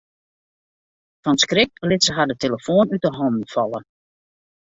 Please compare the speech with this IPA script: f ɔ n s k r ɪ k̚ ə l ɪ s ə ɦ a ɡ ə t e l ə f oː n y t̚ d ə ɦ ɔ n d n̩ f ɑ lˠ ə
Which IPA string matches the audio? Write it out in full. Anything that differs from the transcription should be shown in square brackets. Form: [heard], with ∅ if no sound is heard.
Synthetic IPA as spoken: f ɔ n s k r ɪ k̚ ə l ɪ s ə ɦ a [d] ə t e l ə f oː n y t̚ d ə ɦ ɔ n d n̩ f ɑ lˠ ə